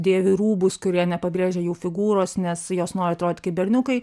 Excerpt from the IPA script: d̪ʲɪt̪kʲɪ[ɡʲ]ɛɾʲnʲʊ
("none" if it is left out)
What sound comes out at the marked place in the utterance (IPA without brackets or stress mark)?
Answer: bʲ